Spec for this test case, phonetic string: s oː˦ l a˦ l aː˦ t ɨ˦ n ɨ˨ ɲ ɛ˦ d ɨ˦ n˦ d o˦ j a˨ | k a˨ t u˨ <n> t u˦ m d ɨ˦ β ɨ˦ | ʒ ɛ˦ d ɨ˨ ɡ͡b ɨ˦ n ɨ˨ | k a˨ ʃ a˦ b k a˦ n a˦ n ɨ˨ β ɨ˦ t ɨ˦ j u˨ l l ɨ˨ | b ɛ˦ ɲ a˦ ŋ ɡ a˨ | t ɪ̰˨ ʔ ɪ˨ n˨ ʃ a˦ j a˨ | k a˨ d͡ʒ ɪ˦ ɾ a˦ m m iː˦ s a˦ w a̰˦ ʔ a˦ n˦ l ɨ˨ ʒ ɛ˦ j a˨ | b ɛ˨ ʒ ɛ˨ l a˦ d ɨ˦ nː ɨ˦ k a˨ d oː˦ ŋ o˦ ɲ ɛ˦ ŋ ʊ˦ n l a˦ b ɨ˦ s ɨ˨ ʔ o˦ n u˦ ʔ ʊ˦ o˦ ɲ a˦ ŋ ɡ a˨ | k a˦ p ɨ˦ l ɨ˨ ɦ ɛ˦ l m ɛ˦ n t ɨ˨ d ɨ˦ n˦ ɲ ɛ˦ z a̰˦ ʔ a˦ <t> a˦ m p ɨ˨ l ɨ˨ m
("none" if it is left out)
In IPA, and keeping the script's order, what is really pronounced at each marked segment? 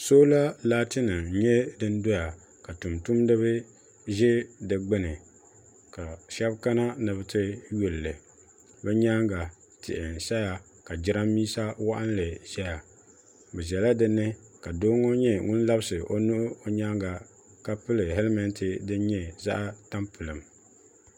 m, t

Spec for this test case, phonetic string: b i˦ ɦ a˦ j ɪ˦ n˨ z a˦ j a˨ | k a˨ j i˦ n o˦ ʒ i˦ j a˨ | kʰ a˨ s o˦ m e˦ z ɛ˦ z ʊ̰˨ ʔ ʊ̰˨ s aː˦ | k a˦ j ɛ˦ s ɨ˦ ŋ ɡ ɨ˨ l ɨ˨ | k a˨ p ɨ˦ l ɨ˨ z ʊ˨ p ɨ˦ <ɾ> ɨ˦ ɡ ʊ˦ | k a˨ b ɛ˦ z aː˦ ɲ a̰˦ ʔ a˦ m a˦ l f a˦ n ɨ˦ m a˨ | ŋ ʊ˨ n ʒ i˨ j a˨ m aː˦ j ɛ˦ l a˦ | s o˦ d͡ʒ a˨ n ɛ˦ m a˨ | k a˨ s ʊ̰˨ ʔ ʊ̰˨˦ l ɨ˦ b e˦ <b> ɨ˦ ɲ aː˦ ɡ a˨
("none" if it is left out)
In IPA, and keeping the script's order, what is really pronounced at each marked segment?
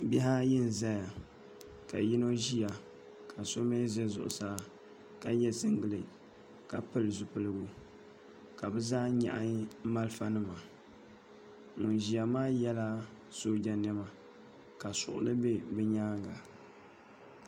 l, b

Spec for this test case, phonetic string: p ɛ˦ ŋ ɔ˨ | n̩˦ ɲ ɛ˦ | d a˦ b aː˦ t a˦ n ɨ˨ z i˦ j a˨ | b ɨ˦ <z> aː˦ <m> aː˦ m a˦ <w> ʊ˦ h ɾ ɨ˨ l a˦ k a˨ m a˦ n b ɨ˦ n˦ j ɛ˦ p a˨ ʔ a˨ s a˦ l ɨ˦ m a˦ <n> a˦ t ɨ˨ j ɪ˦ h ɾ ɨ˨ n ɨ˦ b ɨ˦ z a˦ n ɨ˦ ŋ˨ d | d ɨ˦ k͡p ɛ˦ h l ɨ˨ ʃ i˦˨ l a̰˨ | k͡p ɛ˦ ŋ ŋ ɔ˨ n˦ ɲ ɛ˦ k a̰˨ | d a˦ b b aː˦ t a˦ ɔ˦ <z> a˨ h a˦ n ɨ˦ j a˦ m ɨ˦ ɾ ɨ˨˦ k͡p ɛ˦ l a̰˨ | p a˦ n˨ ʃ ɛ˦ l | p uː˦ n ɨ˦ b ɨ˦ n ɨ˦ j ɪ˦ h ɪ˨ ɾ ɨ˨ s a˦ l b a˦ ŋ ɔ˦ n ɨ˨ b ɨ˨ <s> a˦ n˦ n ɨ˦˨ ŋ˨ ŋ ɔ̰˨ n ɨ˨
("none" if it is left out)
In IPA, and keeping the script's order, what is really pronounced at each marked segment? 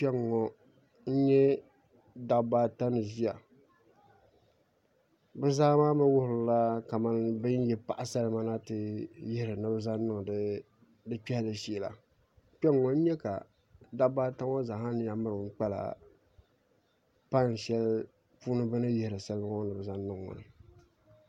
z, m, w, n, z, z

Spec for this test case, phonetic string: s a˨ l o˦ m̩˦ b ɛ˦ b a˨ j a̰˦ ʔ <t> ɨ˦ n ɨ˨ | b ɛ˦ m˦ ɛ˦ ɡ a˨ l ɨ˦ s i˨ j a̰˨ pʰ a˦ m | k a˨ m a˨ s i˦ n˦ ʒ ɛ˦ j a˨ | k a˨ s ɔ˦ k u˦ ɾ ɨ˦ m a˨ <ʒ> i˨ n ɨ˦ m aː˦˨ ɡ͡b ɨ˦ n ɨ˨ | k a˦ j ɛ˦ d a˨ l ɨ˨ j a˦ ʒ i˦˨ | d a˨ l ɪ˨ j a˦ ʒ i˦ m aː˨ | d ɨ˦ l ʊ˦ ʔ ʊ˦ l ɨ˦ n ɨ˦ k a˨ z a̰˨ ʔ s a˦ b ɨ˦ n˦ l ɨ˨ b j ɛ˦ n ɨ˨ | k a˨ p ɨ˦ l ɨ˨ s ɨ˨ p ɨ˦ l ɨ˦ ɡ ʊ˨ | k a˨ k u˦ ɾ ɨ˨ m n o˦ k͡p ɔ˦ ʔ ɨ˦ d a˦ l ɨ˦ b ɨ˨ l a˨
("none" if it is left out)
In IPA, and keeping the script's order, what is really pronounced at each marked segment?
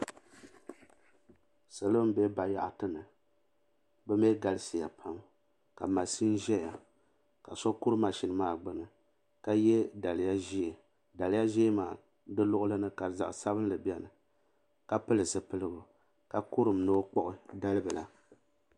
t, ʃ

